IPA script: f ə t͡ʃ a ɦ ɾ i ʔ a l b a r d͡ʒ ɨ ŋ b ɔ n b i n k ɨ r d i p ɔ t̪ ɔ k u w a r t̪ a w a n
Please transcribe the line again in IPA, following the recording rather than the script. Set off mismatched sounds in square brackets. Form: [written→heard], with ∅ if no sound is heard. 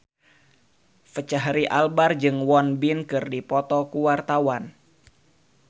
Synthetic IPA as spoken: f ə t͡ʃ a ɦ ɾ i ʔ a l b a r d͡ʒ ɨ ŋ [b→w] ɔ n b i n k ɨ r d i p ɔ t̪ ɔ k u w a r t̪ a w a n